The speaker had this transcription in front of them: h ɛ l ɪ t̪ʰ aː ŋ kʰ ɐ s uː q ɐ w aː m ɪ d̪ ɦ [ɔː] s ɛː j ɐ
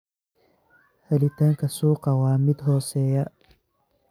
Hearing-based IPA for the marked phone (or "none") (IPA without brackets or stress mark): ɔː